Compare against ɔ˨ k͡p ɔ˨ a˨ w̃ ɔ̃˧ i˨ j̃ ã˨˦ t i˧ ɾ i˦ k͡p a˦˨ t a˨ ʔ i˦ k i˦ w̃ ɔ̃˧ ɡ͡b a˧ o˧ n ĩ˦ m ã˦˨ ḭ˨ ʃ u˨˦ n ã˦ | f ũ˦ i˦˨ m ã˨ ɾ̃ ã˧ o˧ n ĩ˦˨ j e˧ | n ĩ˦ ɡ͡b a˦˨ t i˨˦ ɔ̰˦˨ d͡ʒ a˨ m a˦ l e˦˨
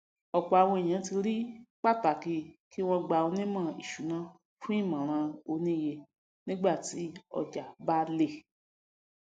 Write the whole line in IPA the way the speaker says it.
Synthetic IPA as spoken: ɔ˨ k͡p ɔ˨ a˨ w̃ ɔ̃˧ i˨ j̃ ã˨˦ t i˧ ɾ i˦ k͡p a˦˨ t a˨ k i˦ k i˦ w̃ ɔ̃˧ ɡ͡b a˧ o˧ n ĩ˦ m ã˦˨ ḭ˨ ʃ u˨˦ n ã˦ | f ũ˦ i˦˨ m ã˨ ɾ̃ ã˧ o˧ n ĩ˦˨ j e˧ | n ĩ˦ ɡ͡b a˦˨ t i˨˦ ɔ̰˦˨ d͡ʒ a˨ b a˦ l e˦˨